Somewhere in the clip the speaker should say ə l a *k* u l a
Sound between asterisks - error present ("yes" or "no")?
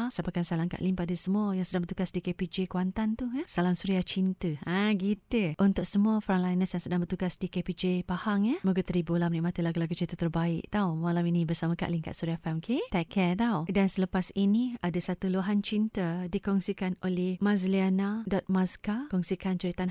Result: yes